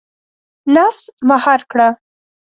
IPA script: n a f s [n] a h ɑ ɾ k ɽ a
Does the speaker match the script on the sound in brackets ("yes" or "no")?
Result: no